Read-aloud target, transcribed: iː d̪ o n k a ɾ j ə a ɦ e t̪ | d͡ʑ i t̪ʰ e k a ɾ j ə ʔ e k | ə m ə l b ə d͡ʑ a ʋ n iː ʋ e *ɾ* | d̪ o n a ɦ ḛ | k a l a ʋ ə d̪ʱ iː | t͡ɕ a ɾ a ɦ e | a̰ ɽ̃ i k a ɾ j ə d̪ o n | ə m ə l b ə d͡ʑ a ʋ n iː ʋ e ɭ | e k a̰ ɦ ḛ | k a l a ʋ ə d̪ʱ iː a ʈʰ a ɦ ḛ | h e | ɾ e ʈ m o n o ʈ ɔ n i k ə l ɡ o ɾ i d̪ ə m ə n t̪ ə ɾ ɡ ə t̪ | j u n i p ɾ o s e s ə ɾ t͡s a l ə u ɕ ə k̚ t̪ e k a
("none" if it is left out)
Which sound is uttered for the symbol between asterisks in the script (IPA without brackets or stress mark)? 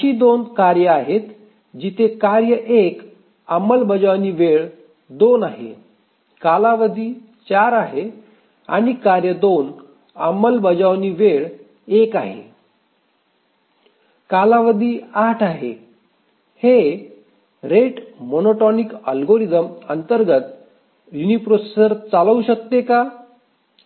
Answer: ɭ